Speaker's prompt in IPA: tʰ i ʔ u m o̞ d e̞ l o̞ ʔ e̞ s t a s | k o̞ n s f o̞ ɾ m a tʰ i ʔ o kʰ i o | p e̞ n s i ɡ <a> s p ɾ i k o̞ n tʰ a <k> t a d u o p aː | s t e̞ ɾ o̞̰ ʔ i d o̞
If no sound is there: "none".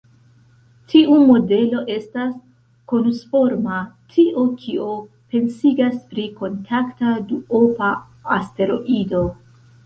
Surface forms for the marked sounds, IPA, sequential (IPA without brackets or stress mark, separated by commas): a, k